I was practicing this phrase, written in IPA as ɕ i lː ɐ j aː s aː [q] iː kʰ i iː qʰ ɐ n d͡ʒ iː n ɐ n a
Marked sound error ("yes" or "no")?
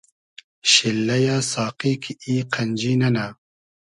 no